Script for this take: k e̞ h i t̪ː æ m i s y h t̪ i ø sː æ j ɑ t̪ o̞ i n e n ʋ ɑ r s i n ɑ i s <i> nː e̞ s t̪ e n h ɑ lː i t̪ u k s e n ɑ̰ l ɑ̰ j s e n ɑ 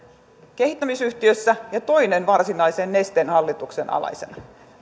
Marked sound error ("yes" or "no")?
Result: yes